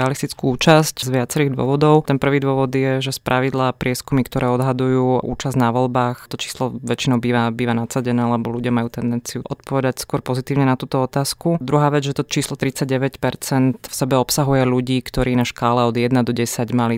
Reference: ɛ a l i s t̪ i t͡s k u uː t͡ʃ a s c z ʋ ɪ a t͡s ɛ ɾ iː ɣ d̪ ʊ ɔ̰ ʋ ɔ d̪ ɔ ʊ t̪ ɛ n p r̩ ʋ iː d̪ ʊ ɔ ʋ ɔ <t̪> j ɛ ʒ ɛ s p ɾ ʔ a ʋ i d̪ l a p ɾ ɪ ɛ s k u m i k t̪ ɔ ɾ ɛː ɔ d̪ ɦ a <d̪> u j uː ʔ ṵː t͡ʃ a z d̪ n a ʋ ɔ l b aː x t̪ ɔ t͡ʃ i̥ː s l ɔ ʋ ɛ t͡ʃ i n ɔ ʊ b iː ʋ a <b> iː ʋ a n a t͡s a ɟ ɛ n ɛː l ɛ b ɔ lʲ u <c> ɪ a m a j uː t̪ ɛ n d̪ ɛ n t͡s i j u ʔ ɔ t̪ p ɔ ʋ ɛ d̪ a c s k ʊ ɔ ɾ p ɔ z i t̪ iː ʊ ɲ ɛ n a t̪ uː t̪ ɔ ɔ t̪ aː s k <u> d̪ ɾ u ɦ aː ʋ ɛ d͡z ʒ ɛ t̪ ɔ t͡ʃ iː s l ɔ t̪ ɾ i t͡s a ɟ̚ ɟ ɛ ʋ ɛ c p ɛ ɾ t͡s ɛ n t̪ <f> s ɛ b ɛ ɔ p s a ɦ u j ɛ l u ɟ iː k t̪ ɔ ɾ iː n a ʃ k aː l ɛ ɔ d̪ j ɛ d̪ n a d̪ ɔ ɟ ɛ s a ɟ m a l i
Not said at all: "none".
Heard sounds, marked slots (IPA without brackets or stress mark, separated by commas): d̪, d̪, b, ɟ, u, f